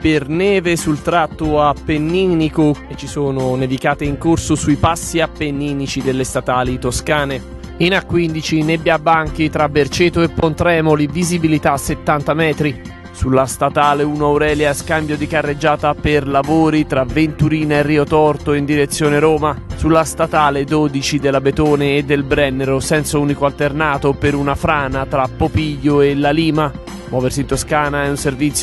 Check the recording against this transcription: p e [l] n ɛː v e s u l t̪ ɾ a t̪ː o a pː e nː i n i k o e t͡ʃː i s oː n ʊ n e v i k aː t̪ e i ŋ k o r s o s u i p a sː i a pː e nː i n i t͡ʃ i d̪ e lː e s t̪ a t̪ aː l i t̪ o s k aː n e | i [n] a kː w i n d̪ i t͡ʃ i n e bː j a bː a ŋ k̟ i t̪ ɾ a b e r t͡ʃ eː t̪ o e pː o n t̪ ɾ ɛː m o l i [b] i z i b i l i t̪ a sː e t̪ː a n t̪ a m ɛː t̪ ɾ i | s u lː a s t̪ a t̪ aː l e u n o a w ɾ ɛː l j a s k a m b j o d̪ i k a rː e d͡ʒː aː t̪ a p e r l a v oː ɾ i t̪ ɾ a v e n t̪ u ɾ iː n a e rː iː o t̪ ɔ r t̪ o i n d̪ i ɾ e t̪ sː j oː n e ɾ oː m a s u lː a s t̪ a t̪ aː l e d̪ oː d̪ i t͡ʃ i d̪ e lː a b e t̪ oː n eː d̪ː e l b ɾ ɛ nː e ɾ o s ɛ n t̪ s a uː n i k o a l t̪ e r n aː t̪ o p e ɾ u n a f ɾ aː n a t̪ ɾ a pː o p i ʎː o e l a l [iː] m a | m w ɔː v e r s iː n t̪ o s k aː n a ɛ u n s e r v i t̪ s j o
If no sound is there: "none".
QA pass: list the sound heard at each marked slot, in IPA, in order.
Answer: r, n, v, iː

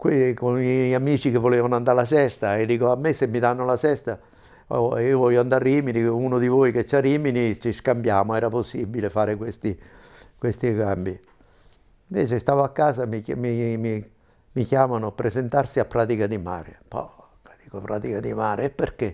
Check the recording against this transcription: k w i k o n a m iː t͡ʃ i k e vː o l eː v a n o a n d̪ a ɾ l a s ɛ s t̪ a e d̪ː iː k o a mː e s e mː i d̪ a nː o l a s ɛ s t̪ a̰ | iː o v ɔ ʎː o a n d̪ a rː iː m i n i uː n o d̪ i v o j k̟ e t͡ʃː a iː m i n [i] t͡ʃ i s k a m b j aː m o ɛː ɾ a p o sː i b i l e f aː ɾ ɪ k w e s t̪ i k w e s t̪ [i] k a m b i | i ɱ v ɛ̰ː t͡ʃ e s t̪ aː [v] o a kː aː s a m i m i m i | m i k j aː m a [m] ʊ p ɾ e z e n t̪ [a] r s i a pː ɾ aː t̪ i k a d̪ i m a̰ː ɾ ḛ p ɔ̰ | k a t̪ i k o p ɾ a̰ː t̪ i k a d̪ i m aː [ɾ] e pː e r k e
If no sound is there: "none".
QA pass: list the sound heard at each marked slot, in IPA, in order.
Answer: i, i, v, n, a, ɾ

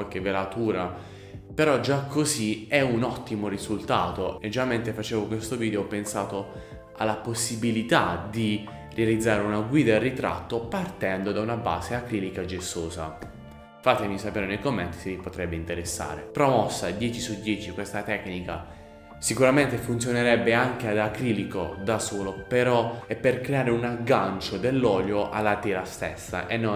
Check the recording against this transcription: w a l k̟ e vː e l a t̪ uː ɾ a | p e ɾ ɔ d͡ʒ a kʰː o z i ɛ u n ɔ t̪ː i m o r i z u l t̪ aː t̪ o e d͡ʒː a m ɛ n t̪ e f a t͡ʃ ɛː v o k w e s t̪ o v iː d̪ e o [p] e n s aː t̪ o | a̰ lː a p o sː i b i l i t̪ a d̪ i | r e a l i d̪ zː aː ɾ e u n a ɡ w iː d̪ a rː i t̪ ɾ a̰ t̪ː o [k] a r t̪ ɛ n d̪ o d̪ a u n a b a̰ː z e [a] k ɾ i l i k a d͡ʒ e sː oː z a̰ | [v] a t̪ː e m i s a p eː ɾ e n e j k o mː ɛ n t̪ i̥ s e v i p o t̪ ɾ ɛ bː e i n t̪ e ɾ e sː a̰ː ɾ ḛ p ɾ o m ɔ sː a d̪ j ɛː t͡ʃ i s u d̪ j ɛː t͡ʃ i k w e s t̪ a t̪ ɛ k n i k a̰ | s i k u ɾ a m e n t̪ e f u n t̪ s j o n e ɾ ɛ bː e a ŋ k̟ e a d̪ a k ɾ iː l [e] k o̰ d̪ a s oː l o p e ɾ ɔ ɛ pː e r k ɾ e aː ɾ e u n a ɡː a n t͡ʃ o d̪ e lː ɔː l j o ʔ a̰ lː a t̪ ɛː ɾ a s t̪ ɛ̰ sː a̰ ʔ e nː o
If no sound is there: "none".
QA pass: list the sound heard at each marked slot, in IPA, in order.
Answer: p, p, a, f, i

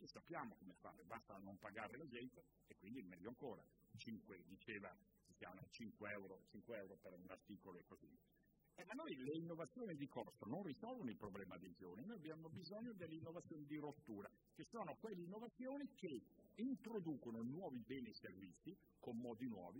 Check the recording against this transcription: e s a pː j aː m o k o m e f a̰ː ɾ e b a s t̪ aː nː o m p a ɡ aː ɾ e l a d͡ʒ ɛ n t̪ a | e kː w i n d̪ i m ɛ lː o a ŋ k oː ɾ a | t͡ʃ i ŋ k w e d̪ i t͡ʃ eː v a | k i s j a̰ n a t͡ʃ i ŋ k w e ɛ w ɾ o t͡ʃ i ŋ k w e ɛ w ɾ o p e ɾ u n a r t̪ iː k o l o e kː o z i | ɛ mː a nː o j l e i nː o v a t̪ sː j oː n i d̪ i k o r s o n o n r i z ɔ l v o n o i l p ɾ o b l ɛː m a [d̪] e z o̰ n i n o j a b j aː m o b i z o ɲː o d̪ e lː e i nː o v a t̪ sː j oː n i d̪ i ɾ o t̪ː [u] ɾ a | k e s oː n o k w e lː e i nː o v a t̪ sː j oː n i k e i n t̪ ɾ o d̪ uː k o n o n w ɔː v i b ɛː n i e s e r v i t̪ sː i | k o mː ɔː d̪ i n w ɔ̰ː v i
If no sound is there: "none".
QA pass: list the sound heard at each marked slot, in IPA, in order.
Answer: d̪, uː

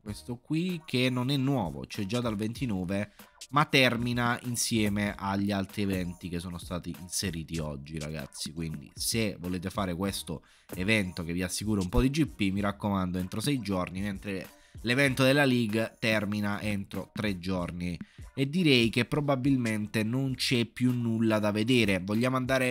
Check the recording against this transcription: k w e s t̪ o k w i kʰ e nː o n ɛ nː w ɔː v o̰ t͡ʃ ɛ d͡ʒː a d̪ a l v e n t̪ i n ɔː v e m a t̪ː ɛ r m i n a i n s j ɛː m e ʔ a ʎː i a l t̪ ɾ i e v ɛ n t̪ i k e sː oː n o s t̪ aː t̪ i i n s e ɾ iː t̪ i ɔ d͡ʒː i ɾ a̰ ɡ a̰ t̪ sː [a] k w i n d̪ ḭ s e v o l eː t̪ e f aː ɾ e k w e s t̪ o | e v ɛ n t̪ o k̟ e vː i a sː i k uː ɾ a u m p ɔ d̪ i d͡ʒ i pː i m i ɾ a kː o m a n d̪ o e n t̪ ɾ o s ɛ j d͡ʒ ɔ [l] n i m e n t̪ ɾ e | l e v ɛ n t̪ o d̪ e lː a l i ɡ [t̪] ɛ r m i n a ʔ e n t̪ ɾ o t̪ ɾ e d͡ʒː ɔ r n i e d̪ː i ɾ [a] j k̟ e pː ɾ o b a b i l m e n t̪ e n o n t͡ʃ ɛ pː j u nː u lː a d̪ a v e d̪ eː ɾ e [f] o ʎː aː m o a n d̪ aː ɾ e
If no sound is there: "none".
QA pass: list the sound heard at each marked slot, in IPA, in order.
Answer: i, r, t̪, ɛ, v

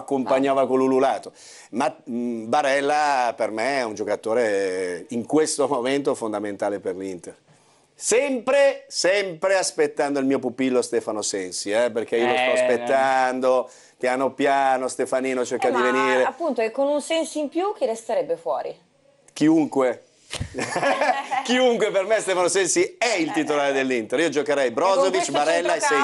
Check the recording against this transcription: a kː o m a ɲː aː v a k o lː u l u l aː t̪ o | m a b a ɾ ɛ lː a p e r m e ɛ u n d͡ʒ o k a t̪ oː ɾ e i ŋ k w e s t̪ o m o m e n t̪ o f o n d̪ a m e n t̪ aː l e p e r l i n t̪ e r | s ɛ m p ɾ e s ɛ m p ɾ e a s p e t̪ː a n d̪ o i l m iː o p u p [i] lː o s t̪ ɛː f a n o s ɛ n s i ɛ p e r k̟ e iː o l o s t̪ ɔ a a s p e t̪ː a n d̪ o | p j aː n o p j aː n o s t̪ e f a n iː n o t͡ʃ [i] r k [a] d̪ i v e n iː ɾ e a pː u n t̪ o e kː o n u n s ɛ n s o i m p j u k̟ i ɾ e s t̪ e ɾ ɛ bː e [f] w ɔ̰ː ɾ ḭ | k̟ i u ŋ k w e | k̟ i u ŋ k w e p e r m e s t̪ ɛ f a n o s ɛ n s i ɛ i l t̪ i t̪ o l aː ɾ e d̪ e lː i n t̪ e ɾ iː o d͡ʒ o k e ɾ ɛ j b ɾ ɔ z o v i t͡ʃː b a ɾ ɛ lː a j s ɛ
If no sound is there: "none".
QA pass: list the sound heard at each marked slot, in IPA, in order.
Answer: i, e, a, f

